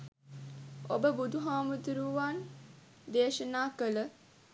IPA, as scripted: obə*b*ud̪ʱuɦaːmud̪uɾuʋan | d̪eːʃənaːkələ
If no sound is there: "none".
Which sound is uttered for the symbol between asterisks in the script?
b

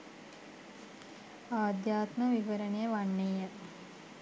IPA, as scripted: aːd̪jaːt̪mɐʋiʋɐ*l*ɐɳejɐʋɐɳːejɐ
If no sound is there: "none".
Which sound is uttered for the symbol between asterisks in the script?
ɾ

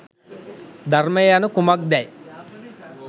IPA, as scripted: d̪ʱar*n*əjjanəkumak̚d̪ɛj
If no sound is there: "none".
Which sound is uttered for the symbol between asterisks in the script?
m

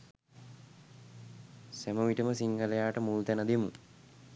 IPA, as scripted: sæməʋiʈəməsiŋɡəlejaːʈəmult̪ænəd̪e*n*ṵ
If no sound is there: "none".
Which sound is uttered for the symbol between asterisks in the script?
m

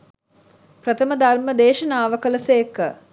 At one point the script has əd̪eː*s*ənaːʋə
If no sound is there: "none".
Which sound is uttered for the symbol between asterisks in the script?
ʃ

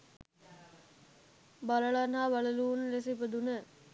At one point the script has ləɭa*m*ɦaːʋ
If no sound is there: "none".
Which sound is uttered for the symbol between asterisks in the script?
n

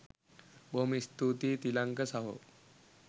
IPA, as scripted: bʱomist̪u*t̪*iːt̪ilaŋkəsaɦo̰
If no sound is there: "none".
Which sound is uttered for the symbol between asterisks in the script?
t̪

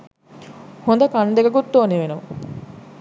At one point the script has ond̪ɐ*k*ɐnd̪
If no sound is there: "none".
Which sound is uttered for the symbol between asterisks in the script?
k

